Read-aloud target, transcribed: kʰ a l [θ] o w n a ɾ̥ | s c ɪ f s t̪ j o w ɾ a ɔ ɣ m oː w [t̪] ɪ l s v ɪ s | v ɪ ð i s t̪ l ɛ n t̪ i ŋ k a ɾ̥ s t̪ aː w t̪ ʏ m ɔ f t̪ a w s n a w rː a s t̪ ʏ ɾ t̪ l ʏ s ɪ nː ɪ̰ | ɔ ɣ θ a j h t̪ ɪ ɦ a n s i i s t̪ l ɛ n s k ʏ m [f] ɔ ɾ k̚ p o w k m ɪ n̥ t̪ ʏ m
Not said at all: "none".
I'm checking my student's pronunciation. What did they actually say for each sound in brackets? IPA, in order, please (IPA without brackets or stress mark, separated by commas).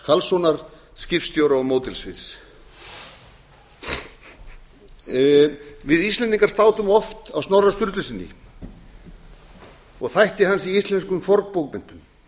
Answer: s, t̪, f